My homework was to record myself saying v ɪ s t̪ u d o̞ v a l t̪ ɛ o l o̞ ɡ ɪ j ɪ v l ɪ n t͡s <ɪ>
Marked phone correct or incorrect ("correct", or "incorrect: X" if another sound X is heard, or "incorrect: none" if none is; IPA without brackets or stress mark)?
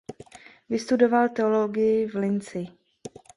correct